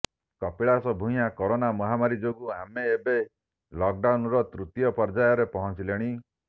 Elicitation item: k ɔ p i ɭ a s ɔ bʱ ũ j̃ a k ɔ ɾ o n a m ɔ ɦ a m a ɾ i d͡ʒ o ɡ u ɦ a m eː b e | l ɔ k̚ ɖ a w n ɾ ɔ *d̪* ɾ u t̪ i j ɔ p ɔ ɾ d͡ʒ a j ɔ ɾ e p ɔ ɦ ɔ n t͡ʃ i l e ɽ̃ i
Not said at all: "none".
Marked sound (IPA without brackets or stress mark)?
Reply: t̪